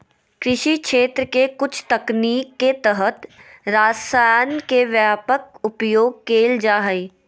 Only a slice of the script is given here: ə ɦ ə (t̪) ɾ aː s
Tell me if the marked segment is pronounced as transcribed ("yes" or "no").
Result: yes